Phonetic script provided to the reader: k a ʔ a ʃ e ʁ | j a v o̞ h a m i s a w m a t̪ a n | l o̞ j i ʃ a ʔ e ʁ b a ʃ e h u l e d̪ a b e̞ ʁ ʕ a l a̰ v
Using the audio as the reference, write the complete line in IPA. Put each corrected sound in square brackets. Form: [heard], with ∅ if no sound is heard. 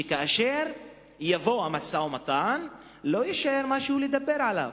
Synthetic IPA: k a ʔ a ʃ e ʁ | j a v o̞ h a m [a] s a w m a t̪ a n | l o̞ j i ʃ a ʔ e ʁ [m] a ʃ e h u l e d̪ a b e̞ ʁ ʕ a l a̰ v